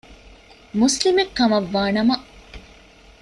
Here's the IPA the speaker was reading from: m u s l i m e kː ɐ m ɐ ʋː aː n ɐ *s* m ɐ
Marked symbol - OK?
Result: no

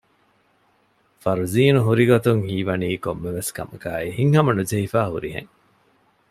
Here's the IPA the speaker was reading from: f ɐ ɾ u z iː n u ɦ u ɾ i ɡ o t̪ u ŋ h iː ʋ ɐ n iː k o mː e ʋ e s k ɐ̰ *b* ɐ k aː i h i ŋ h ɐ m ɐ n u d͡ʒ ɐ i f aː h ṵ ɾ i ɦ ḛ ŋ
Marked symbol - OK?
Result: no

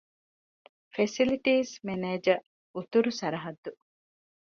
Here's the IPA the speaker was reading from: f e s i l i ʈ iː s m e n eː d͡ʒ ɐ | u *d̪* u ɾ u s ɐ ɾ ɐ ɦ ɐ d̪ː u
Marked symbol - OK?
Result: no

